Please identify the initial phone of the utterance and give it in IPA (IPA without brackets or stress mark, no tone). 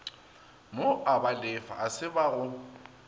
m